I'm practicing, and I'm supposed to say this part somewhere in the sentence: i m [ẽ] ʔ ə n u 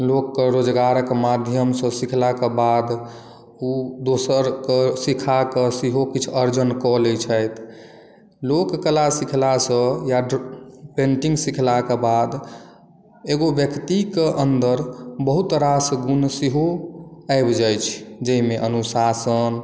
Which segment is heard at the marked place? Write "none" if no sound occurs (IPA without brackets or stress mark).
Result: e